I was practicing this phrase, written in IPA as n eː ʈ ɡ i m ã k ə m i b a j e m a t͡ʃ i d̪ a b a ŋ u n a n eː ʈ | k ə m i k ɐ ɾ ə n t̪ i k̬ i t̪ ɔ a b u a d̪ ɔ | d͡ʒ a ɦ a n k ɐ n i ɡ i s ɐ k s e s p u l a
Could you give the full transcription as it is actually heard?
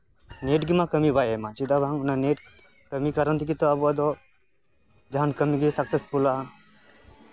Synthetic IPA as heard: n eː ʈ ɡ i m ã k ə m i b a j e m a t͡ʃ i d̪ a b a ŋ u n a n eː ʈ | k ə m i k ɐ ɾ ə n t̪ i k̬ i t̪ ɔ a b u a d̪ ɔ | d͡ʒ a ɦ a n k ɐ m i ɡ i s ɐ k s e s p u l a